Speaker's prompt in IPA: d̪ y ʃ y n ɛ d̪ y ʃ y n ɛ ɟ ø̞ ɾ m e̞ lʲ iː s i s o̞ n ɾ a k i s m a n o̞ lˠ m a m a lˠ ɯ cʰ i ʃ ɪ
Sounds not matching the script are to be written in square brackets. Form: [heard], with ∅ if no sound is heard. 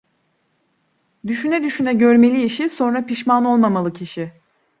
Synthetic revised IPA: d̪ y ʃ y n ɛ d̪ y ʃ y n ɛ ɟ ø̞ ɾ m e̞ lʲ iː [ʃ] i s o̞ n ɾ a [p] i [ʃ] m a n o̞ lˠ m a m a lˠ ɯ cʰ i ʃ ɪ

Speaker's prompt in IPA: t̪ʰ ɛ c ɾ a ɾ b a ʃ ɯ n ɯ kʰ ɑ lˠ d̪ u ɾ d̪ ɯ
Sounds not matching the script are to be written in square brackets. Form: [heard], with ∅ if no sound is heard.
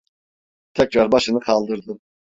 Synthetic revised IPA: t̪ʰ ɛ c ɾ a ɾ b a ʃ ɯ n ɯ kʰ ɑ lˠ d̪ [ɯ] ɾ d̪ ɯ

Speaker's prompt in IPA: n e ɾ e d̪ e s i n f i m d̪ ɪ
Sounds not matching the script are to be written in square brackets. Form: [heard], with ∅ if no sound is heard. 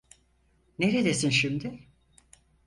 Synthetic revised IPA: n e ɾ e d̪ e s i n [ʃ] i m d̪ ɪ

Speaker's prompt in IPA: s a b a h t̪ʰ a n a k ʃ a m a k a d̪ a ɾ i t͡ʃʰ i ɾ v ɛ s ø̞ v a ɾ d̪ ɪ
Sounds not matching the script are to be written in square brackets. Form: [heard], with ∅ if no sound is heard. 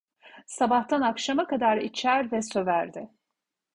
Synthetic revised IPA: s a b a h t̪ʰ a n a k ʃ a m a k a d̪ a ɾ i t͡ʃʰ [æ] ɾ v ɛ s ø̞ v [æ] ɾ d̪ ɪ

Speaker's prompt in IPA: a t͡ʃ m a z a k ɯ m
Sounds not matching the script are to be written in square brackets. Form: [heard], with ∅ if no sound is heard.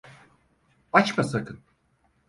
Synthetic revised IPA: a t͡ʃ m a [s] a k ɯ [n]

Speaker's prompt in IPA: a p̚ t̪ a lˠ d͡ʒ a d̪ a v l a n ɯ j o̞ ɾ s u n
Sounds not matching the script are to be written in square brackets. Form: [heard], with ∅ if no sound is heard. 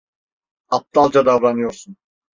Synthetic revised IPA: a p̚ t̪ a lˠ d͡ʒ a d̪ a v [ɾ] a n ɯ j o̞ ɾ s u n

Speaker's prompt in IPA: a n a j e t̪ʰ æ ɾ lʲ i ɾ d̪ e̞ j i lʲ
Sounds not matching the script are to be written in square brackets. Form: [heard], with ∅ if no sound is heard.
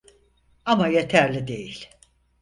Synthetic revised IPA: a [m] a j e t̪ʰ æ ɾ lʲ i [∅] d̪ e̞ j i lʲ

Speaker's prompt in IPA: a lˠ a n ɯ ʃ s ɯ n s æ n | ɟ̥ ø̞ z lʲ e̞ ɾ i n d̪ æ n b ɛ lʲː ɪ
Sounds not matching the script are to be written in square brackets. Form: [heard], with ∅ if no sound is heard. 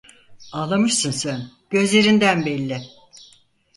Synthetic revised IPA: a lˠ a [m] ɯ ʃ s ɯ n s æ n | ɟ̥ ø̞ z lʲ e̞ ɾ i n d̪ æ n b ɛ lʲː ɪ

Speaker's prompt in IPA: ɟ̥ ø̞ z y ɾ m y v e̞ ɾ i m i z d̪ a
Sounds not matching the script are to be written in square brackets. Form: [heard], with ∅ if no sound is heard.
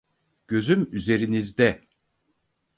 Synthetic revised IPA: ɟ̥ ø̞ z y [∅] m y [z] e̞ ɾ i [n] i z d̪ [ɛ]

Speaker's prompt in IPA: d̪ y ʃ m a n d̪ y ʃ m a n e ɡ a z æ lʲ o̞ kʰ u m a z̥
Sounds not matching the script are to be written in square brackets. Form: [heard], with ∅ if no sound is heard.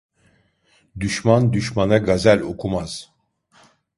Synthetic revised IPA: d̪ y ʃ m a n d̪ y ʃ m a n [a] ɡ a z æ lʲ o̞ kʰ u m a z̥

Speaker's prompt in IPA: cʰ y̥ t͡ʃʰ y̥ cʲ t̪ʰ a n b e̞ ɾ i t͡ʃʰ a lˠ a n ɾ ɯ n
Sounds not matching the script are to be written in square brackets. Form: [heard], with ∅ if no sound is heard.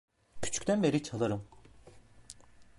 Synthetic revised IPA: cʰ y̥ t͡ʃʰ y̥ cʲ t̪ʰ [æ] n b e̞ ɾ i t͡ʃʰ a lˠ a [∅] ɾ ɯ [m]

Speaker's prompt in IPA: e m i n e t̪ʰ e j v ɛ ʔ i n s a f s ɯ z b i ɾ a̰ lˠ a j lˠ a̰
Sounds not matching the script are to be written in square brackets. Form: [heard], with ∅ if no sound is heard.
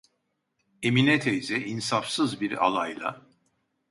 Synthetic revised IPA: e m i n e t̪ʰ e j [z] ɛ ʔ i n s a f s ɯ z b i ɾ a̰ lˠ a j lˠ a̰

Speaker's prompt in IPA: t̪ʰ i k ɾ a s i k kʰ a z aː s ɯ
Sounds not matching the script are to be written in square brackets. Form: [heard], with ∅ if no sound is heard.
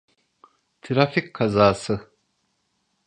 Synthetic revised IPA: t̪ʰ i [∅] ɾ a [f] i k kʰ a z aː s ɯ

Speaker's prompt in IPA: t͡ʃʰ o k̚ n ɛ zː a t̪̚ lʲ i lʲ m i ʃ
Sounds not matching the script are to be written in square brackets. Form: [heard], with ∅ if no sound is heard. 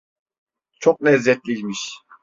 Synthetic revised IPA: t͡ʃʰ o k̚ n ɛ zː [ɛ] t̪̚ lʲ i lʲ m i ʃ

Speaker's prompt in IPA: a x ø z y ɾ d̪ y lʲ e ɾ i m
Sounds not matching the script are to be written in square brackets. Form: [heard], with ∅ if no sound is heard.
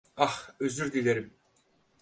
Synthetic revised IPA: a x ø z y ɾ d̪ [i] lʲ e ɾ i m

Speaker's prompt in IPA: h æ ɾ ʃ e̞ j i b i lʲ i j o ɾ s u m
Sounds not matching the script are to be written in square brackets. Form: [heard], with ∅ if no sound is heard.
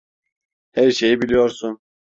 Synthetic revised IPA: h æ ɾ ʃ e̞ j i b i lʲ i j o ɾ s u [n]

